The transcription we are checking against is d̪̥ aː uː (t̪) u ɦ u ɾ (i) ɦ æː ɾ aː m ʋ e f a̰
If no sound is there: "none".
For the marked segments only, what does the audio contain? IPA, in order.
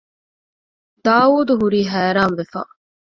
d̪, iː

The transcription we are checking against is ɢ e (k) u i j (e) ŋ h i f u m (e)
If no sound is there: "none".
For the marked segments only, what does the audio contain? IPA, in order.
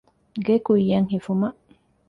k, a, a

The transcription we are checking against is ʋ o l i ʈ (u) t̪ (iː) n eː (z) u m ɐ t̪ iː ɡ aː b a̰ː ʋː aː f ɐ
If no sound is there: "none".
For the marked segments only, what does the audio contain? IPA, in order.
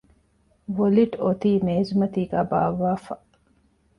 o, iː, z

